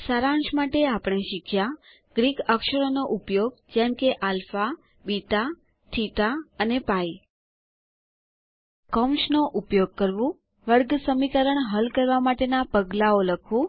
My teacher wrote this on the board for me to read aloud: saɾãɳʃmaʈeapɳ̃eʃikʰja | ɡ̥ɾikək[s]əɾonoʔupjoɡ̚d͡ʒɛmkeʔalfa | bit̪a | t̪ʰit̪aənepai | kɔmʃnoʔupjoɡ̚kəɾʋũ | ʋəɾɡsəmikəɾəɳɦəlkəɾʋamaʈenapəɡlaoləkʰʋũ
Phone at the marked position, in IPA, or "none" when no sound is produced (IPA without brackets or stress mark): ʃ